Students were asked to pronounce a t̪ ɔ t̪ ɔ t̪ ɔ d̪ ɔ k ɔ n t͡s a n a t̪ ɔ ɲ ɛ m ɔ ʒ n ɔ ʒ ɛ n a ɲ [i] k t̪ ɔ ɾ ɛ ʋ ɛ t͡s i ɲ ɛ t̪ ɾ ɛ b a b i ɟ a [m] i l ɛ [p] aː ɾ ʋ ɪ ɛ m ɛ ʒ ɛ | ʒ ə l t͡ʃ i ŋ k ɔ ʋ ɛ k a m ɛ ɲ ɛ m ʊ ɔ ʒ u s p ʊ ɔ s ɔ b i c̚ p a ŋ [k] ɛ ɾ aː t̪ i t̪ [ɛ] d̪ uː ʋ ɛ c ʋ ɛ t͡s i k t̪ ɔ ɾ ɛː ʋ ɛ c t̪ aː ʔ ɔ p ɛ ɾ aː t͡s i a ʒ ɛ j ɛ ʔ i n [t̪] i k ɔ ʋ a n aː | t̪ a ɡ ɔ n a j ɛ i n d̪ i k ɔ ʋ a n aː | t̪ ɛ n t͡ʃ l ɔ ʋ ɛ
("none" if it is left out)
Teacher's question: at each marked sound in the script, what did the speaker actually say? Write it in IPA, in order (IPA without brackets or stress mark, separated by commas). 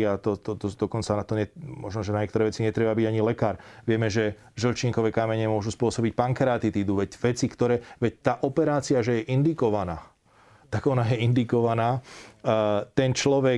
ɛ, ɲ, k, k, i, d̪